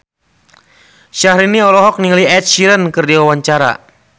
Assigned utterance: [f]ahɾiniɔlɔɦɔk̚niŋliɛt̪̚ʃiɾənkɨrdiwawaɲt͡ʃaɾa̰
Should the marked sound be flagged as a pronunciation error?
yes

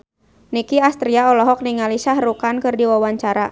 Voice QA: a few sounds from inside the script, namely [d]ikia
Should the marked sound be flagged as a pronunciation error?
yes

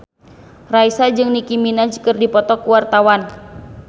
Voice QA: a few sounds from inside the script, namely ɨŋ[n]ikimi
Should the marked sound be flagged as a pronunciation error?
no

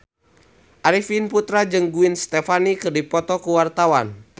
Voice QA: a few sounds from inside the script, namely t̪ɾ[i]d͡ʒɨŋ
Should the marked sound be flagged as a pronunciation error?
yes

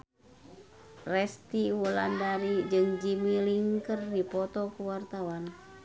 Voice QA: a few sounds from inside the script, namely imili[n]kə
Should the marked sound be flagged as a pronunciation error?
yes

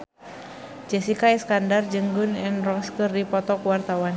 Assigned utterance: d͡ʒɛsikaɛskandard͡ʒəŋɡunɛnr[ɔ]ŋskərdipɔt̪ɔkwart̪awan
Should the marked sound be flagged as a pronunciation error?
no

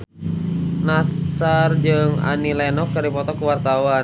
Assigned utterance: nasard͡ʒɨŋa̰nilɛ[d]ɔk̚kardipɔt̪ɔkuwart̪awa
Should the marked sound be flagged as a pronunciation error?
yes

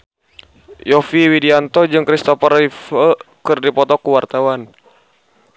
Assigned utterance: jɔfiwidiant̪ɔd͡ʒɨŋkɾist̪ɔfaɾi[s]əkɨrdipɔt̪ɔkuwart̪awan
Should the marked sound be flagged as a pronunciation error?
yes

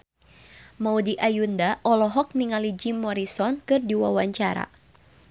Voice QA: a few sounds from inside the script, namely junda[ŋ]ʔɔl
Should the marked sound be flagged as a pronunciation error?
yes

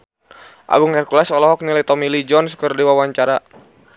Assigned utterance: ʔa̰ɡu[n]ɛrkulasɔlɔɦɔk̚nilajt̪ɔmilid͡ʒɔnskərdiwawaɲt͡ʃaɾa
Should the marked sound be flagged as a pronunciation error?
yes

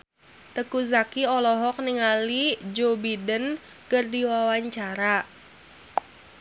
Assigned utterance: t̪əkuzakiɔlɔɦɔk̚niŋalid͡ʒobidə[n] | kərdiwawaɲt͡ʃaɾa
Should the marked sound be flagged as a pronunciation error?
no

